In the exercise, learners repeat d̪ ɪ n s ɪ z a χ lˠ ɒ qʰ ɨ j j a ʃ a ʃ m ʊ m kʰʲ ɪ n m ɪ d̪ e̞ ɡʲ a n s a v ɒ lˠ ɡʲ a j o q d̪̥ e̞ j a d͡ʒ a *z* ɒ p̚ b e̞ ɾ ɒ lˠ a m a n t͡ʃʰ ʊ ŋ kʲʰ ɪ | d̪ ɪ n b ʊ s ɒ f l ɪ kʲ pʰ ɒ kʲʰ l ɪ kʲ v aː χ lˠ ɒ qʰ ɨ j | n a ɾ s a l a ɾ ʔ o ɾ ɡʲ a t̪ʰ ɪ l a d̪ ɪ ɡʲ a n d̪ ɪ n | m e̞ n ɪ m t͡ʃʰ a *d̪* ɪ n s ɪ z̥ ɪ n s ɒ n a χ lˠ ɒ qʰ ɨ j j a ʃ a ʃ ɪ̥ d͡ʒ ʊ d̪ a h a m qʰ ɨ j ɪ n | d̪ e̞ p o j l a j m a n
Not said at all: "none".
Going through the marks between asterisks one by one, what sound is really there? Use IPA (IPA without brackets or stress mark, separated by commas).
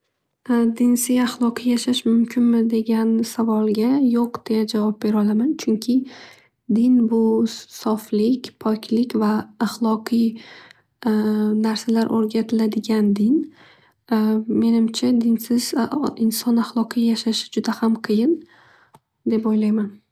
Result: v, d̪